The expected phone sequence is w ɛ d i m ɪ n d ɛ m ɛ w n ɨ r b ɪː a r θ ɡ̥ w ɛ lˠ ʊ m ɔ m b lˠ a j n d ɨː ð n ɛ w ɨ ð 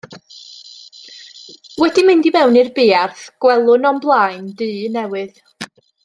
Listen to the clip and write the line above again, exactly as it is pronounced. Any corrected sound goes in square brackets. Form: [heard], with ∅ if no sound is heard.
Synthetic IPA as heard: w ɛ d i m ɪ n d [i] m ɛ w n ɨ r b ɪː a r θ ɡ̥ w ɛ lˠ ʊ [n] ɔ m b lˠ a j n d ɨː [∅] n ɛ w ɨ ð

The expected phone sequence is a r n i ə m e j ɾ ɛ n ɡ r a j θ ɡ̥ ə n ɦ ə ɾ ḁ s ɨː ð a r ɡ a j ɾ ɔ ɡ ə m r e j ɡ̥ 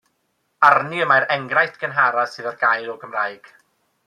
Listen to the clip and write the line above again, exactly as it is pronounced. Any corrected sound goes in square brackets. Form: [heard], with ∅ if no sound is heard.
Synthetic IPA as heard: a r n i ə m [a] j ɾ ɛ [ŋ] ɡ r a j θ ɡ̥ ə n ɦ [a] ɾ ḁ s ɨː ð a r ɡ a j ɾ ɔ ɡ ə m r [a] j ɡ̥

